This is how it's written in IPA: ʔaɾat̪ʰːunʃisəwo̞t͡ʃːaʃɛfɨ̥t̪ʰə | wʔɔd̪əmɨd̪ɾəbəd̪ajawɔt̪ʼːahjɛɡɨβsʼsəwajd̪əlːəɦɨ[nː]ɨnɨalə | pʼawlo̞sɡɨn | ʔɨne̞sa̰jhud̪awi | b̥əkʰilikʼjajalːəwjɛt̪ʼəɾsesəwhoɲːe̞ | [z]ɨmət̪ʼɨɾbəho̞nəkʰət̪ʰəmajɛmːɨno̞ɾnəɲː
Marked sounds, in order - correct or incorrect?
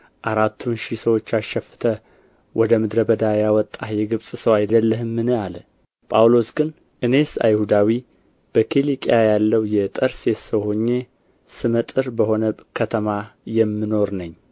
incorrect, incorrect

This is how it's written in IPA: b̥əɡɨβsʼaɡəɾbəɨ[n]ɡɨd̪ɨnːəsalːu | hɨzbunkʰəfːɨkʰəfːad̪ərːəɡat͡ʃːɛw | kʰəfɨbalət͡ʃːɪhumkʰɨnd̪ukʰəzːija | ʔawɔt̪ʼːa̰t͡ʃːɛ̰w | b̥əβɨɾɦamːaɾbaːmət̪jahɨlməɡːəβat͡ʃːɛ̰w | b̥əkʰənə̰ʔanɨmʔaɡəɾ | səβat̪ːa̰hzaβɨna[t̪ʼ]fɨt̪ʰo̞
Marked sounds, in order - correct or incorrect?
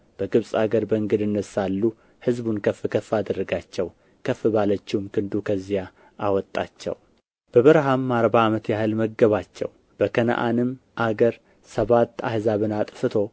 incorrect, correct

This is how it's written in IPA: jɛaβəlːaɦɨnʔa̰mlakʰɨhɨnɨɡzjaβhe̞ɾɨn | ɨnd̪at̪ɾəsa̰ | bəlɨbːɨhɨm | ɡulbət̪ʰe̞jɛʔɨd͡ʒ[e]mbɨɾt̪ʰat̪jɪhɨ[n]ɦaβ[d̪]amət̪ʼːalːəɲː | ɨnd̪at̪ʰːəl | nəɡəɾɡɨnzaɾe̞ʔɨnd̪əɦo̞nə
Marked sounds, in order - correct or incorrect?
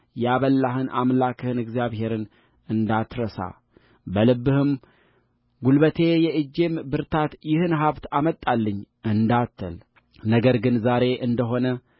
correct, correct, incorrect

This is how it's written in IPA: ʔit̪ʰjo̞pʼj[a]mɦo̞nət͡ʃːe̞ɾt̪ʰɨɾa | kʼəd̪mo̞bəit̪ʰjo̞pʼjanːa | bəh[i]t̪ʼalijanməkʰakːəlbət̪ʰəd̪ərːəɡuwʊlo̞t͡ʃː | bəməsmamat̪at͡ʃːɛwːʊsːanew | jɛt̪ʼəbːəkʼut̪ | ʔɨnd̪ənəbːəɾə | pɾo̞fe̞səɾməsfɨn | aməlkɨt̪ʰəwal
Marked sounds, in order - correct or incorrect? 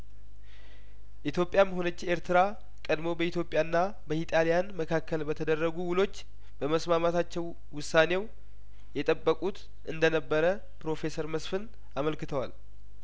correct, correct

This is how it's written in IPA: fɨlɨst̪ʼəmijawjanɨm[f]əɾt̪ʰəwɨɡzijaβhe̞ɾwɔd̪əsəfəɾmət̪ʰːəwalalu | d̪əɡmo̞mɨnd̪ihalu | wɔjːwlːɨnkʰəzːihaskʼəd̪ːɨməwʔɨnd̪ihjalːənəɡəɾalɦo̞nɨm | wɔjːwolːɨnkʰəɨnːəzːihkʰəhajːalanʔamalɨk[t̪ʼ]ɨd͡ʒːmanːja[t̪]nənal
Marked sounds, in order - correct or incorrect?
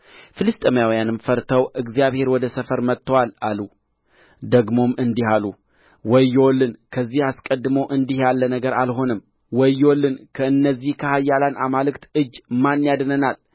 correct, incorrect, incorrect

